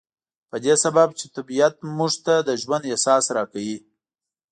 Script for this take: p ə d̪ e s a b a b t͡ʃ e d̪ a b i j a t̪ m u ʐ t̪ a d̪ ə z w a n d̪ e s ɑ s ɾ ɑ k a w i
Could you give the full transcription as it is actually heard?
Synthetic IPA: p ə d̪ e s a b a b t͡ʃ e t̪ a b i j a t̪ m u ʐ t̪ a d̪ ə ʒ w a n d̪ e s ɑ s ɾ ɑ k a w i